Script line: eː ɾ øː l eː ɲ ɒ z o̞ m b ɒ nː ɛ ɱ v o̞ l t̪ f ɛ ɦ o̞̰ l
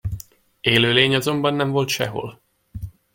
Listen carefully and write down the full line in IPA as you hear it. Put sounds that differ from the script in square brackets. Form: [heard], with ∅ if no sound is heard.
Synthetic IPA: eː [l] øː l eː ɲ ɒ z o̞ m b ɒ nː ɛ ɱ v o̞ l t̪ [ʃ] ɛ ɦ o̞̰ l